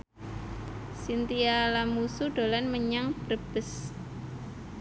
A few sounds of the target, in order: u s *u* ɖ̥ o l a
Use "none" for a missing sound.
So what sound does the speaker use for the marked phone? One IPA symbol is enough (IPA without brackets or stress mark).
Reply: u